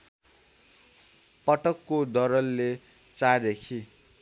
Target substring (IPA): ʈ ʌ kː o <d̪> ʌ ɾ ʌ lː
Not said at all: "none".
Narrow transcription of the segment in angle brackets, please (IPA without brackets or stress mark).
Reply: d̪